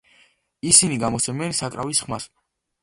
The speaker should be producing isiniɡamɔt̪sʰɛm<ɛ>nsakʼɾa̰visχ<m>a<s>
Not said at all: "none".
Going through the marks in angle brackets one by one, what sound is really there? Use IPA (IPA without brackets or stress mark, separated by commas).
ɛ, m, s